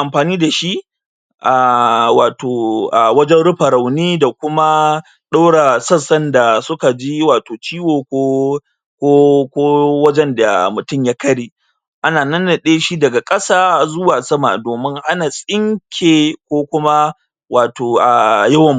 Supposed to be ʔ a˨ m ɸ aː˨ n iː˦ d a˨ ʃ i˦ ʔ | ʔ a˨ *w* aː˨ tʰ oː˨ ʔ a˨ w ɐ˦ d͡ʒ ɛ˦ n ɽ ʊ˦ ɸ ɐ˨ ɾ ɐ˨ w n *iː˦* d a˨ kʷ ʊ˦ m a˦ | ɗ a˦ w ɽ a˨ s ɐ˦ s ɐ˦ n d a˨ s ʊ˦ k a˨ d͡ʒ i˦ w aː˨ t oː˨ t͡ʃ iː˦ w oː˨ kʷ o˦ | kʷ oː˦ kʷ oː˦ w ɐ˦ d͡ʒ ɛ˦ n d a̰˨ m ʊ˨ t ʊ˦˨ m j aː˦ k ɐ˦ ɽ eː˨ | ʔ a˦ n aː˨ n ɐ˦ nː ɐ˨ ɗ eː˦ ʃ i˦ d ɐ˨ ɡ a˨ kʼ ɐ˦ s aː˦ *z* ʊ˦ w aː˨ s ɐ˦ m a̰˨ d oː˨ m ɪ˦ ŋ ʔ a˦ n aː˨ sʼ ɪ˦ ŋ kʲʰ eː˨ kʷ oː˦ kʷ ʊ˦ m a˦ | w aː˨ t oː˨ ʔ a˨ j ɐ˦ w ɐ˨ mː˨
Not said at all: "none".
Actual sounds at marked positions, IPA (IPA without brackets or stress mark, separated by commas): w, iː˦, z